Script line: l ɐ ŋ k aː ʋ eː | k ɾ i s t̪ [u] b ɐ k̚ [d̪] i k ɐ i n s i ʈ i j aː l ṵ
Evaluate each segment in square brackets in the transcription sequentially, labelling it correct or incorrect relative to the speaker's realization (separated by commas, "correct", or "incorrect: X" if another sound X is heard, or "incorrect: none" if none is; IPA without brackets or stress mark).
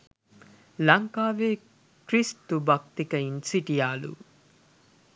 correct, incorrect: t̪